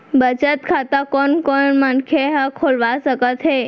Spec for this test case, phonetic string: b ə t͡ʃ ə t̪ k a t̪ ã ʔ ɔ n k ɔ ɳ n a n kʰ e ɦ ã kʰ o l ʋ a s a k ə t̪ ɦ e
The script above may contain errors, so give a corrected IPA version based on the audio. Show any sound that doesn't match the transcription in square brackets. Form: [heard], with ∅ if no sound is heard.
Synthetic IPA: b ə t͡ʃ ə t̪ [kʰ] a t̪ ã [k] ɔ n k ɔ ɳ [m] a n kʰ e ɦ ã kʰ o l ʋ a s [ə] k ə t̪ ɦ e